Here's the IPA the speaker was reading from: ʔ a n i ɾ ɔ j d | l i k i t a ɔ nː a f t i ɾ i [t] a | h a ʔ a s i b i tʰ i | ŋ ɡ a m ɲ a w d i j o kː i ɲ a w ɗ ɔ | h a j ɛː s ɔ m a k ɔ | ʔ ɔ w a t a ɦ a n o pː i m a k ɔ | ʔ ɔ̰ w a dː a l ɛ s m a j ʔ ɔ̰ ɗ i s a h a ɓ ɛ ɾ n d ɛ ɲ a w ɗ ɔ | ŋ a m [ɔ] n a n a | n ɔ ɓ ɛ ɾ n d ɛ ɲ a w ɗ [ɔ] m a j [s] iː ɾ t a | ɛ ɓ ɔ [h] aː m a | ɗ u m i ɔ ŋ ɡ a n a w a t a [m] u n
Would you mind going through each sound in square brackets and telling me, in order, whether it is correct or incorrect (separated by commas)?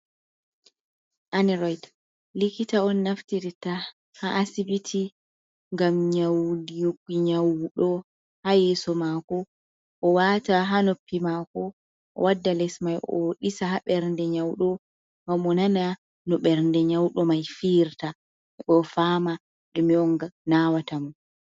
correct, correct, correct, incorrect, incorrect, correct